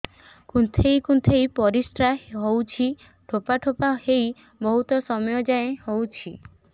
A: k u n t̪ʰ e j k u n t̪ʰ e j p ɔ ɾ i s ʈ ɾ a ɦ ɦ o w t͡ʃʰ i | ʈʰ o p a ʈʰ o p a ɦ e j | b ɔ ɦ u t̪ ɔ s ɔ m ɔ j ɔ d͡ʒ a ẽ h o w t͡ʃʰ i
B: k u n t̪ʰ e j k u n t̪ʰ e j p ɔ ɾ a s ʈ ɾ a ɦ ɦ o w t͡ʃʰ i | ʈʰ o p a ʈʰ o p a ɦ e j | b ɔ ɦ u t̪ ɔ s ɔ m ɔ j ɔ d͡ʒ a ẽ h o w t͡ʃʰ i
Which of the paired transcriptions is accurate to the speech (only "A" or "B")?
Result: A